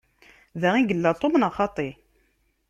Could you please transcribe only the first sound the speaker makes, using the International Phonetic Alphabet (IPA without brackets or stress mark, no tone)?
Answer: ð